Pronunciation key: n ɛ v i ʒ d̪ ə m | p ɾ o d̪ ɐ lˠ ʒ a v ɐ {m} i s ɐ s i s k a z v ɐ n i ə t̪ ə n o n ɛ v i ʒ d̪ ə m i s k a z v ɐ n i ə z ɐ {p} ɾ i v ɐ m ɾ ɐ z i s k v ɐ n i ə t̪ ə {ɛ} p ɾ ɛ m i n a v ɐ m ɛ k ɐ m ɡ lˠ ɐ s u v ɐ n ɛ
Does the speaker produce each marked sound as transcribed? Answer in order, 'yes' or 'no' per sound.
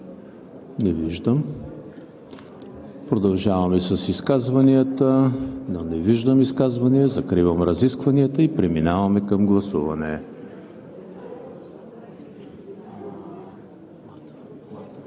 yes, no, no

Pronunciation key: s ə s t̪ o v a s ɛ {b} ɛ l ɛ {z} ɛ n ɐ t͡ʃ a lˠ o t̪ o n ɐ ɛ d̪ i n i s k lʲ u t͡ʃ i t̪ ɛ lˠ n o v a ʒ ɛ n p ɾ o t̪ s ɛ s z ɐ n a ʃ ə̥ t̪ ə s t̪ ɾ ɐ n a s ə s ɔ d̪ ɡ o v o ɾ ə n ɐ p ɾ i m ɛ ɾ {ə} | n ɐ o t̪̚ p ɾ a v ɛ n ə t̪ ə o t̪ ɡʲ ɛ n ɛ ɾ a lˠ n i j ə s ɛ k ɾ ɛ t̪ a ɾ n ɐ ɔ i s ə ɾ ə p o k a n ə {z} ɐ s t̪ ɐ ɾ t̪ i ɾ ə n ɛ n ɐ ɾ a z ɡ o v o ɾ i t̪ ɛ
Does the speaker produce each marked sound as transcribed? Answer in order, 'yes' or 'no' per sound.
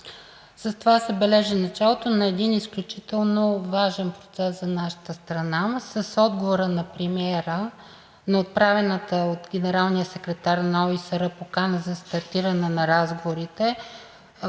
yes, no, yes, yes

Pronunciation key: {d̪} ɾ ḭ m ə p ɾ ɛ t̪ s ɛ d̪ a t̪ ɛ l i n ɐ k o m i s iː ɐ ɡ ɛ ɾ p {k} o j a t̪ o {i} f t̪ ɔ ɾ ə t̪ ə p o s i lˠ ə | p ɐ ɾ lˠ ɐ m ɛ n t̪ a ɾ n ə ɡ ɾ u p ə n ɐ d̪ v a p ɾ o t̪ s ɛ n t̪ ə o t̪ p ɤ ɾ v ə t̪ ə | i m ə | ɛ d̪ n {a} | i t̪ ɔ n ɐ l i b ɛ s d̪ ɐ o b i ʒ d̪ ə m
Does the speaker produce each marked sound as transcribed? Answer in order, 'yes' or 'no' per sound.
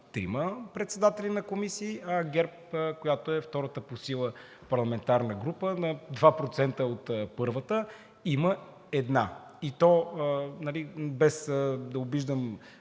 no, yes, no, yes

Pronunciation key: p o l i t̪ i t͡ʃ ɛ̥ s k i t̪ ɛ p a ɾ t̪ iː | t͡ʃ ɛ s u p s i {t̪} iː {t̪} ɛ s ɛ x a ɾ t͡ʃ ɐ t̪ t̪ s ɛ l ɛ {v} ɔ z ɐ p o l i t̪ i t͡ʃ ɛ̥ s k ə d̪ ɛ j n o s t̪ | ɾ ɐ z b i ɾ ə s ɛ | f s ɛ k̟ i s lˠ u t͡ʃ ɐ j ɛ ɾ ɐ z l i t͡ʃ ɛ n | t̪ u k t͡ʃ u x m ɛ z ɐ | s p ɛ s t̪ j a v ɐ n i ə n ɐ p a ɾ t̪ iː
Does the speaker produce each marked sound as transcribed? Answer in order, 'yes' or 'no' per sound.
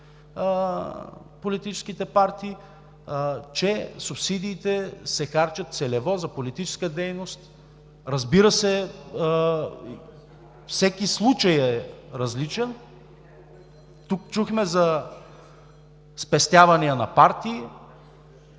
no, yes, yes

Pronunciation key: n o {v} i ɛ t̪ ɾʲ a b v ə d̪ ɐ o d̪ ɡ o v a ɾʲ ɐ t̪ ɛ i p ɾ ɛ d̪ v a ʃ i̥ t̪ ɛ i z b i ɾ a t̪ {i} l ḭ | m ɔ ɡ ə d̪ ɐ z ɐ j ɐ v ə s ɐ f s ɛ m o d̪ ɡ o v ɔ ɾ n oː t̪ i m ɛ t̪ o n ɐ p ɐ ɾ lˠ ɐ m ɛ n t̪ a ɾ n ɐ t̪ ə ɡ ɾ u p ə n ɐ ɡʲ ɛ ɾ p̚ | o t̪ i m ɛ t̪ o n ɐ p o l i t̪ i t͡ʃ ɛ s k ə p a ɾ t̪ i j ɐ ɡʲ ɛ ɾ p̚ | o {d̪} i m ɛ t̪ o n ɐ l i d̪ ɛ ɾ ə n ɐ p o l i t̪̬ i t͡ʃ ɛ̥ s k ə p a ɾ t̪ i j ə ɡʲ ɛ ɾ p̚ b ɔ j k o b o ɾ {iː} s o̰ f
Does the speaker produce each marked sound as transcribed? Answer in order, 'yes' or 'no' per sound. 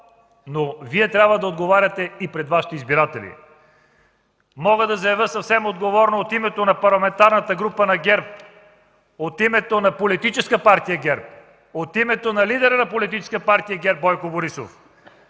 yes, no, no, no

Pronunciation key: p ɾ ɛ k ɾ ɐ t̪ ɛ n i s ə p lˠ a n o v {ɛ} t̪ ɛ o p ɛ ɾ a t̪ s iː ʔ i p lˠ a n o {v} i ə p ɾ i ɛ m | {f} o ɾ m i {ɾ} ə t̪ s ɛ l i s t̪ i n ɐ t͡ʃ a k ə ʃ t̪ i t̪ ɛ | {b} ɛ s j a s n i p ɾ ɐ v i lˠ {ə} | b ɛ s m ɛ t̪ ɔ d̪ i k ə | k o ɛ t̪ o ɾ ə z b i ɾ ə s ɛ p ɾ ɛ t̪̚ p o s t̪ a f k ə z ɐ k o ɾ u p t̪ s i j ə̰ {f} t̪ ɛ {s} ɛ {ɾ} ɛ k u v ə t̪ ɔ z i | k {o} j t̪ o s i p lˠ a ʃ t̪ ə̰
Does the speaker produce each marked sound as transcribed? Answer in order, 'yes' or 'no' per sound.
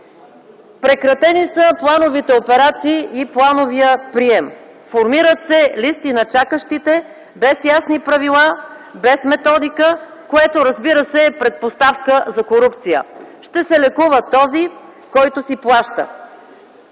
no, yes, yes, yes, yes, no, no, yes, no, no

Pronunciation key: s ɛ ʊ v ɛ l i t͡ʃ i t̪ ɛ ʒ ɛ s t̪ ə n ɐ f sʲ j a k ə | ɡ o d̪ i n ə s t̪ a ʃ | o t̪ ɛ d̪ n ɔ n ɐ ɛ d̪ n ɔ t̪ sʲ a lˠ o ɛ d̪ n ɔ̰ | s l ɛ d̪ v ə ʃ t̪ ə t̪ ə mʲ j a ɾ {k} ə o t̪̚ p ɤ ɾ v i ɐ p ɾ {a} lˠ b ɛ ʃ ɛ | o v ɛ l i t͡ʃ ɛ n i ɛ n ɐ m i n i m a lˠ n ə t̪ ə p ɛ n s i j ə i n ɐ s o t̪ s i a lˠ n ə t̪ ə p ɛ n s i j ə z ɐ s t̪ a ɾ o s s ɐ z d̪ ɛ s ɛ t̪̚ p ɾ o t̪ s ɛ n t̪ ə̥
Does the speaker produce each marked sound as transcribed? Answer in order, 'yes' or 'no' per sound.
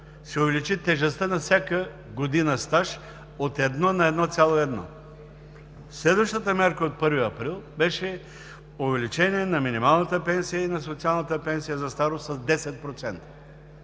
yes, no

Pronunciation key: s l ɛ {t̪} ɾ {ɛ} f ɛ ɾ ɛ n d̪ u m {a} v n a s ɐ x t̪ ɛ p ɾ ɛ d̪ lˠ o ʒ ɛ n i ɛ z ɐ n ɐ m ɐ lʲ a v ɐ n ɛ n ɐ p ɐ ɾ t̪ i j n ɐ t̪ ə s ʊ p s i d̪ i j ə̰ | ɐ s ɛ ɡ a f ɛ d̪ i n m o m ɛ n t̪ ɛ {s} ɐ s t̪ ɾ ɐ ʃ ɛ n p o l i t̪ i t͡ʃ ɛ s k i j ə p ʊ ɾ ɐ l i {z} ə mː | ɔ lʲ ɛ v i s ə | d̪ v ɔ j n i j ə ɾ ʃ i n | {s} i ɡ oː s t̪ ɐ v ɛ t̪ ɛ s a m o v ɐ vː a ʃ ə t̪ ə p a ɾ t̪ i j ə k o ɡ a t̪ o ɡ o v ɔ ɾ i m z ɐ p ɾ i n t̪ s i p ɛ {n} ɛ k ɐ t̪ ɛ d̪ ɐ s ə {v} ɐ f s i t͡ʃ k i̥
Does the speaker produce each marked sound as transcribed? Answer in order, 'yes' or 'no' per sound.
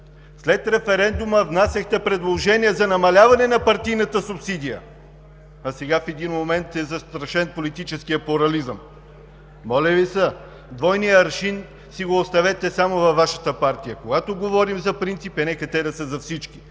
yes, yes, no, no, yes, yes, yes, no

